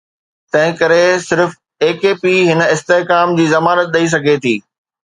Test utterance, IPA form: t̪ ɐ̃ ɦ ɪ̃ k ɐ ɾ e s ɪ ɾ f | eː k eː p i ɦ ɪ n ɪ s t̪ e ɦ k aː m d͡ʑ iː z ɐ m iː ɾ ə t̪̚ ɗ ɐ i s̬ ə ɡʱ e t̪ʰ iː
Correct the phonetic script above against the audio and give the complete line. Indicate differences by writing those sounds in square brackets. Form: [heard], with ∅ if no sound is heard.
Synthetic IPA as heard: t̪ ɐ̃ ɦ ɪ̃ k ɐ ɾ e s ɪ ɾ f | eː k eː p i ɦ ɪ n ɪ s t̪ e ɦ k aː m d͡ʑ iː z ɐ m [aː] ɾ ə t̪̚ ɗ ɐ i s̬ [ɐ] ɡʱ e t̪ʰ iː